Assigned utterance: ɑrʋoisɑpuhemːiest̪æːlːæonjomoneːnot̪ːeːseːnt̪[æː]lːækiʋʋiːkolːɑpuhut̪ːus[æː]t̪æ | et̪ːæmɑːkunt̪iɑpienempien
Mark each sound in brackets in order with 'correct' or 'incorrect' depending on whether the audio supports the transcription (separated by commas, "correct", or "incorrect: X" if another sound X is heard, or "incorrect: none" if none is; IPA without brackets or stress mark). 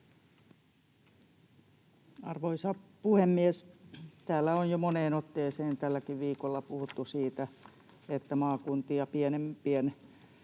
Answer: incorrect: æ, incorrect: iː